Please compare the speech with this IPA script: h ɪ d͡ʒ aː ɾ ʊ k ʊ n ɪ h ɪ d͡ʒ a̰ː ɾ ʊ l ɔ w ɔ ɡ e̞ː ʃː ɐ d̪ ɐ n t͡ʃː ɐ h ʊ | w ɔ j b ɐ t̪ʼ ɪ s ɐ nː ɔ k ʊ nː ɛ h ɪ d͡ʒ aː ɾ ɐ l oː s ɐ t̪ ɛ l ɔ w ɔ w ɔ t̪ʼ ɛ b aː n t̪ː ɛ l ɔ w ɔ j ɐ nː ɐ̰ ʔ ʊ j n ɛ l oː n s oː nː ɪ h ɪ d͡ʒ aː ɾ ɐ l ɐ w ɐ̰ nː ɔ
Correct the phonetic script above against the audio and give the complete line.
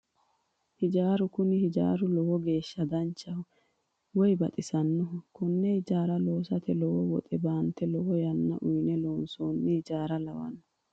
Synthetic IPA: h ɪ d͡ʒ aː ɾ ʊ k ʊ n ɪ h ɪ d͡ʒ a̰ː ɾ ʊ l ɔ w ɔ ɡ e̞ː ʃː ɐ d̪ ɐ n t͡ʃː ɐ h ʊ | w ɔ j b ɐ t̪ʼ ɪ s ɐ nː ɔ k ʊ nː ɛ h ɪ d͡ʒ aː ɾ ɐ l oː s ɐ t̪ ɛ l ɔ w ɔ w ɔ t̪ʼ ɛ b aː n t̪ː ɛ l ɔ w ɔ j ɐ nː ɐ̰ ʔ ʊ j n ɛ l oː n s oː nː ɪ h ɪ d͡ʒ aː ɾ ɐ l ɐ w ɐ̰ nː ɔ